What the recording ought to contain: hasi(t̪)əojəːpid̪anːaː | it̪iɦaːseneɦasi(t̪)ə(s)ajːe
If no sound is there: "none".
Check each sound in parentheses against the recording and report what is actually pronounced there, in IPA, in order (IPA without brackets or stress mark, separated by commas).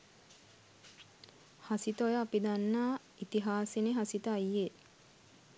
t̪, t̪, none